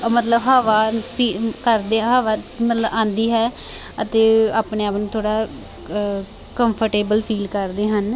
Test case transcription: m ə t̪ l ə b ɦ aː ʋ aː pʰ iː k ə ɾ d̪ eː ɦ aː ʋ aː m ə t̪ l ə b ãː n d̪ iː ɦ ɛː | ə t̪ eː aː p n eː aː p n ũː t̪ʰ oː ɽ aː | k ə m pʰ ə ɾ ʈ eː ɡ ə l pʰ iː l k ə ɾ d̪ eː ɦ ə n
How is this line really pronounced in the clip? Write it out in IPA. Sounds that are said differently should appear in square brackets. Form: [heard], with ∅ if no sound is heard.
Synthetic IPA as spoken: m ə t̪ l ə b ɦ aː ʋ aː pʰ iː k ə ɾ d̪ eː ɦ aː ʋ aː m ə t̪ l ə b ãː n d̪ iː ɦ ɛː | ə t̪ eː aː p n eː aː p n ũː t̪ʰ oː ɽ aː | k ə m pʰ ə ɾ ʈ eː [b] ə l pʰ iː l k ə ɾ d̪ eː ɦ ə n